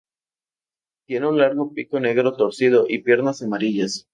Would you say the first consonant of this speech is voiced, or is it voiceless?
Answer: voiceless